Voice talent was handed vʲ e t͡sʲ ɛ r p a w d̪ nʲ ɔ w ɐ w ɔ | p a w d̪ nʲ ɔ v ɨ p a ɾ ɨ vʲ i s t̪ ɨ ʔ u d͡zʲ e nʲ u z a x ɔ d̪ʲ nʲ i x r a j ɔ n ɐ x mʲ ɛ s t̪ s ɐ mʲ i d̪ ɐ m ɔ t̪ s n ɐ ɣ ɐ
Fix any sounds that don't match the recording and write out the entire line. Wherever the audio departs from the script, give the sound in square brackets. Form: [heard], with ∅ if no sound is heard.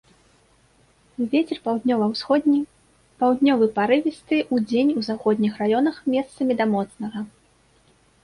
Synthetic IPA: vʲ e t͡sʲ ɛ r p a w d̪ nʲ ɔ [v] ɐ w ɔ | p a w d̪ nʲ ɔ v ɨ p a ɾ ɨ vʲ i s t̪ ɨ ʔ u d͡zʲ e nʲ u z a x ɔ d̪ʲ nʲ i x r a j ɔ n ɐ x mʲ ɛ s t̪ s ɐ mʲ i d̪ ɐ m ɔ t̪ s n ɐ ɣ ɐ